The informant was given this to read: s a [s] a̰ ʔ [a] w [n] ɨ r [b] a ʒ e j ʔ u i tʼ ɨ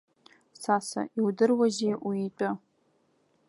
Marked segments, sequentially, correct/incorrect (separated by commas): correct, incorrect, incorrect, incorrect